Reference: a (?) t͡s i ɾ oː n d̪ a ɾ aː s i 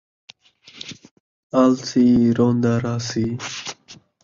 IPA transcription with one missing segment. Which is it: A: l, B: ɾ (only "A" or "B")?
A